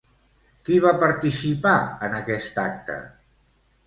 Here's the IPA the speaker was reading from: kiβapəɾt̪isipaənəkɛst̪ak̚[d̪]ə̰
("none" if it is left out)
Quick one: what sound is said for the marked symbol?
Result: t̪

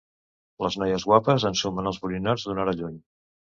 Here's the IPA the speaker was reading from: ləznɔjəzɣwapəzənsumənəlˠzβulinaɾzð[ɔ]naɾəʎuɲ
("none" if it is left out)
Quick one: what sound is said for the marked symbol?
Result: u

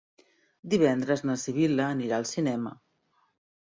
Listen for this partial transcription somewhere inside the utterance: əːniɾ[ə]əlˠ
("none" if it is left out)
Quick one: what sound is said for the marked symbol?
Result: a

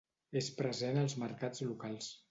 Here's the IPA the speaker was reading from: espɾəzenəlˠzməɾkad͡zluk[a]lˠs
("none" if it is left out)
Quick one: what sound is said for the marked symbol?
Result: a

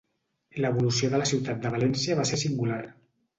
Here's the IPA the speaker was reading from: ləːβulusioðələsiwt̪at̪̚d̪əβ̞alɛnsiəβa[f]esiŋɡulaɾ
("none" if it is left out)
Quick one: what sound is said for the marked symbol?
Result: s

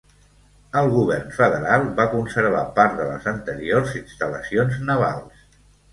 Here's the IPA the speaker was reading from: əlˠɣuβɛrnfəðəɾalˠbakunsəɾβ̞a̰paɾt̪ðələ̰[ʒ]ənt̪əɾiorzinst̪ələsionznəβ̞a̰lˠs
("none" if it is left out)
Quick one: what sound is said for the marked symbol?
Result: z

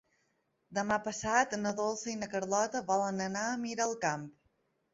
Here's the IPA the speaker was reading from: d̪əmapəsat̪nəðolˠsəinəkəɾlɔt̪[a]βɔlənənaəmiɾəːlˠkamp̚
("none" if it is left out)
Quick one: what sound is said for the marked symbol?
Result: ə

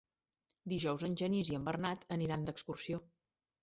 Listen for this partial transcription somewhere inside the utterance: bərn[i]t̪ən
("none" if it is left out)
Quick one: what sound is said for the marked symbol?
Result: a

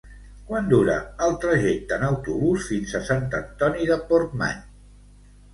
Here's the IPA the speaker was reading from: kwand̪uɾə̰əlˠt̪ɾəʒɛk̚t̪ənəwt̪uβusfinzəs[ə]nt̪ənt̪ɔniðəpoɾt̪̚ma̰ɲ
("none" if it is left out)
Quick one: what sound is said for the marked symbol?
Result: a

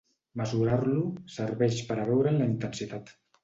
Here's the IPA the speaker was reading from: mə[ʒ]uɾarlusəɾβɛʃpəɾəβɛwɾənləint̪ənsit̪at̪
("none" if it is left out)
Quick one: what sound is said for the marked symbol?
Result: z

